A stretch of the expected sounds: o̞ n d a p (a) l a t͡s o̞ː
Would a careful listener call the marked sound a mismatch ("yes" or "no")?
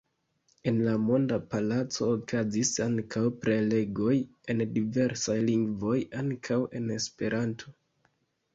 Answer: no